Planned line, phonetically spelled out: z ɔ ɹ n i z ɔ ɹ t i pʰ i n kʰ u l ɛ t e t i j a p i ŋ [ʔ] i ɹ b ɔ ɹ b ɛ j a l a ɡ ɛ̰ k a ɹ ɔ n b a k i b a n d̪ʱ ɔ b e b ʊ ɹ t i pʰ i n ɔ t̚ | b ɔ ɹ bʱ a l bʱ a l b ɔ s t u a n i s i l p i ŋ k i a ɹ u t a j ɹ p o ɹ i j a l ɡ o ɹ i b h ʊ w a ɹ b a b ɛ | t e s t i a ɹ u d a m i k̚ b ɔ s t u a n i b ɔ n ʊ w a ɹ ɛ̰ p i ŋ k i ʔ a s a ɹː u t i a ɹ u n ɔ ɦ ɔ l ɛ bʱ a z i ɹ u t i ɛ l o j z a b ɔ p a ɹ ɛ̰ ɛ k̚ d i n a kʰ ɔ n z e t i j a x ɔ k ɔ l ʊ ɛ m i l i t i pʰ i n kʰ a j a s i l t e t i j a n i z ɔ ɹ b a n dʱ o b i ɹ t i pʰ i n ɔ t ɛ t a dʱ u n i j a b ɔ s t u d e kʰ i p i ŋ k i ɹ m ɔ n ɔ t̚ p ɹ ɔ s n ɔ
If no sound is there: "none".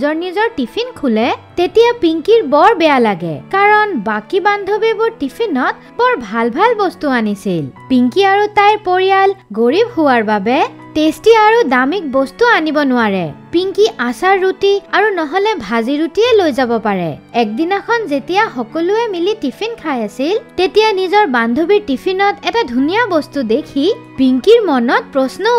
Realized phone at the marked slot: k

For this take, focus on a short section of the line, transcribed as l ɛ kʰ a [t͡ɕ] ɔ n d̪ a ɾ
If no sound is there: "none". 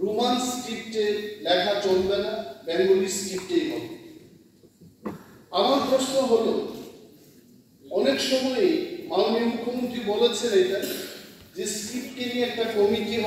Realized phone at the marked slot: t͡ɕ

